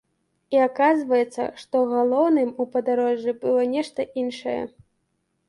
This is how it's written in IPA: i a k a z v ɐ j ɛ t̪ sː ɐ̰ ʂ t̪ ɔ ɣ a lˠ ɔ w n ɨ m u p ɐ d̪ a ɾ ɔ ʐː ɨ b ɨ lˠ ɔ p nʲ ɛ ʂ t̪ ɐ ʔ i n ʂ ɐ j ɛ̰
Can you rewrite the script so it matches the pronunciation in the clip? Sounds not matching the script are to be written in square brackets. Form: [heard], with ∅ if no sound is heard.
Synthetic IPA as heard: i a k a z v ɐ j ɛ t̪ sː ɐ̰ ʂ t̪ ɔ ɣ a lˠ ɔ w n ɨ m u p ɐ d̪ a ɾ ɔ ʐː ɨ b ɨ lˠ ɔ [∅] nʲ ɛ ʂ t̪ ɐ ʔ i n ʂ ɐ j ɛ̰

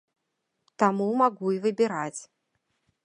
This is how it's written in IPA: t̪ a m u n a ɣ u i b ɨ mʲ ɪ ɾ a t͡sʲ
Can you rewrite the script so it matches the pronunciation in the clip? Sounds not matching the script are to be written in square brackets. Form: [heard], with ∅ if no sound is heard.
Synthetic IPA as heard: t̪ a m u [m] a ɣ u i [v] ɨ [bʲ] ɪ ɾ a t͡sʲ

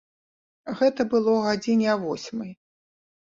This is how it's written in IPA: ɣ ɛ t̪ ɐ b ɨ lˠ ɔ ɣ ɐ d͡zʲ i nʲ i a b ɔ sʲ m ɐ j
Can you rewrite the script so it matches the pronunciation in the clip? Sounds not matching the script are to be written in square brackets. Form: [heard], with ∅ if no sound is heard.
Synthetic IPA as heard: ɣ ɛ t̪ ɐ b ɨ lˠ ɔ ɣ [a] d͡zʲ i nʲ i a [v] ɔ sʲ m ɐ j

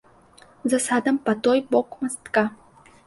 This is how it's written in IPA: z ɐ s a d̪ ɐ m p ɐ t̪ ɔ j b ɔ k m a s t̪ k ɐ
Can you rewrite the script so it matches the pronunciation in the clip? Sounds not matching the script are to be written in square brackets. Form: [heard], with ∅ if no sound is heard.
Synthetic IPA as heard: z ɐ s a d̪ ɐ m p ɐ t̪ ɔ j b ɔ k m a s t̪ k [a]

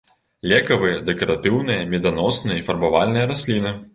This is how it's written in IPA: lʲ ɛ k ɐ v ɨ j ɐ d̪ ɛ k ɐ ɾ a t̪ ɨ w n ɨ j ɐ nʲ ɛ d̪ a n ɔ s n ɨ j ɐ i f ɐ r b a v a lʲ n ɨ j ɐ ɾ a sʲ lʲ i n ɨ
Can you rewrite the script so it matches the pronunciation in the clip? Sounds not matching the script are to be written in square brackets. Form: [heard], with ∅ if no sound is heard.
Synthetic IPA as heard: lʲ ɛ k ɐ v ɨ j ɐ d̪ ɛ k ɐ ɾ a t̪ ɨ w n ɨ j ɐ [mʲ] ɛ d̪ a n ɔ s n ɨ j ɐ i f ɐ r b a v a lʲ n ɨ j ɐ ɾ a sʲ lʲ i n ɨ

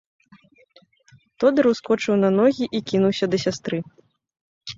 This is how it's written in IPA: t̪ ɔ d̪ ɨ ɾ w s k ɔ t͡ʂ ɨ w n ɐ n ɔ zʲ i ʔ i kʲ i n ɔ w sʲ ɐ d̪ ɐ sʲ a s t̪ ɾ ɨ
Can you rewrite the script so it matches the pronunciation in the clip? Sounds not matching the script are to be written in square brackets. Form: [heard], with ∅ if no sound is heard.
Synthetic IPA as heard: t̪ ɔ d̪ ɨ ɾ w s k ɔ t͡ʂ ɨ w n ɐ n ɔ [ɣʲ] i ʔ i kʲ i n [u] w sʲ ɐ d̪ ɐ sʲ a s t̪ ɾ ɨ

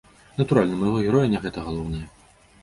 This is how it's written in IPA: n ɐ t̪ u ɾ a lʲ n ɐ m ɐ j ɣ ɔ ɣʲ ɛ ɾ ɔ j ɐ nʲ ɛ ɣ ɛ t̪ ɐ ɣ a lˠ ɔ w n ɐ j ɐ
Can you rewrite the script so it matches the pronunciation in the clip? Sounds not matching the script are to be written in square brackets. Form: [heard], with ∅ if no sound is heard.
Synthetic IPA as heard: n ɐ t̪ u ɾ a lʲ n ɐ m ɐ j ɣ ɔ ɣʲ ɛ ɾ ɔ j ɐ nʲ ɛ ɣ ɛ t̪ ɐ ɣ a lˠ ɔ w n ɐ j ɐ

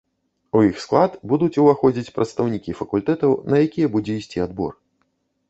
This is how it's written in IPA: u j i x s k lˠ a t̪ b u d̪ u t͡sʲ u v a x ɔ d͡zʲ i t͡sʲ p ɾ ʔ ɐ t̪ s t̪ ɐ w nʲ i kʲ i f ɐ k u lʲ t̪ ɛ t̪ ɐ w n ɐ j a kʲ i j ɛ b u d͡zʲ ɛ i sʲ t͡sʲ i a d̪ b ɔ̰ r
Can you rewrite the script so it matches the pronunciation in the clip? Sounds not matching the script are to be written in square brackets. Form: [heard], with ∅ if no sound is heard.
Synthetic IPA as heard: u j i x s k lˠ a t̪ b u d̪ u t͡sʲ u v a x ɔ d͡zʲ i t͡sʲ p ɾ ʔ ɐ t̪ s t̪ ɐ w nʲ i kʲ i f ɐ k u lʲ t̪ ɛ t̪ ɐ w n ɐ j a kʲ i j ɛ b u d͡zʲ ɛ i sʲ t͡sʲ i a d̪ b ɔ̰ r

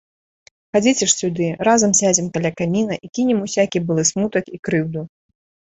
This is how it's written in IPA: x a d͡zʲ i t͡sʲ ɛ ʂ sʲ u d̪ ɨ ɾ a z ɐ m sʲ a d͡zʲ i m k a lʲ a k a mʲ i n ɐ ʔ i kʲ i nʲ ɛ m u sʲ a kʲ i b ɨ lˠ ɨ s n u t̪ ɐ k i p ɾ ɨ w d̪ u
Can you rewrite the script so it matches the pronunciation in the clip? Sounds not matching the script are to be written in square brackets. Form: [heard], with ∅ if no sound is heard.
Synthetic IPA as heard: x a d͡zʲ i t͡sʲ ɛ ʂ sʲ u d̪ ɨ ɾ a z ɐ m sʲ a d͡zʲ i m k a lʲ a k a mʲ i n ɐ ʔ i kʲ i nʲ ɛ m u sʲ a kʲ i b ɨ lˠ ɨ s [m] u t̪ ɐ k i [k] ɾ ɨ w d̪ u

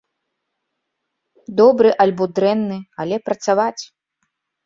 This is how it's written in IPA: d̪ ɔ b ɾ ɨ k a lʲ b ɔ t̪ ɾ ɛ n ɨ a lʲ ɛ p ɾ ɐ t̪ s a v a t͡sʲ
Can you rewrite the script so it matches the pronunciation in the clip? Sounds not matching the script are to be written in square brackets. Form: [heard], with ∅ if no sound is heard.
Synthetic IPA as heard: d̪ ɔ b ɾ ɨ [ʔ] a lʲ b ɔ [d̪] ɾ ɛ [nː] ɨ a lʲ ɛ p ɾ ɐ t̪ s a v a t͡sʲ

